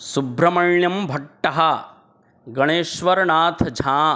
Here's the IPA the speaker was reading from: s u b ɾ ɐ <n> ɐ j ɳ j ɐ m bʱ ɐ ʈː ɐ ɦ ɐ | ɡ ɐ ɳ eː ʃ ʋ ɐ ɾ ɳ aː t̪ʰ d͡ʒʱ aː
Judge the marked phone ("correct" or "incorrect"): incorrect